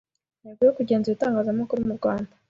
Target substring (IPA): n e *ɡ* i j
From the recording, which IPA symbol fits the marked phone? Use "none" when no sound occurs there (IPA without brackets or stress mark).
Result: ɡ